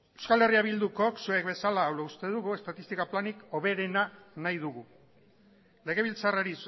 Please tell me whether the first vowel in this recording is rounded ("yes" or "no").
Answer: no